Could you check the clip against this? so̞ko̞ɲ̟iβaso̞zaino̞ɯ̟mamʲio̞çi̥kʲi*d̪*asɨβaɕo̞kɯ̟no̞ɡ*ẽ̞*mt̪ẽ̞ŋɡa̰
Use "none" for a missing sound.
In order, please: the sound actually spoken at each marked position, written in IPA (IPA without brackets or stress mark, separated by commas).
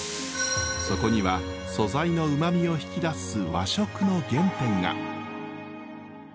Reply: d̪, ẽ̞